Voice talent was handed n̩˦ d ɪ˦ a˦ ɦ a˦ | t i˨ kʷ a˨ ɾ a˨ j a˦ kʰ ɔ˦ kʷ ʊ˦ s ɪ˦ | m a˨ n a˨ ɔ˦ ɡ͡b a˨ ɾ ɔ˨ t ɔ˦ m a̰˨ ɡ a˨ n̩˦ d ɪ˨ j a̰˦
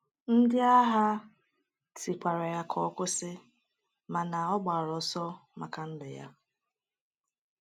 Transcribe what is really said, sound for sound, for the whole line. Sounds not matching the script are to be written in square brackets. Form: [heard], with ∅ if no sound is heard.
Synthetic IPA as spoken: n̩˦ d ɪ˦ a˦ ɦ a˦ | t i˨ kʷ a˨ ɾ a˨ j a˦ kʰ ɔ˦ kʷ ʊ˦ s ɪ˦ | m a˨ n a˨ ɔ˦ ɡ͡b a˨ ɾ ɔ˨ [s] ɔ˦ m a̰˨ [k] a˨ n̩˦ d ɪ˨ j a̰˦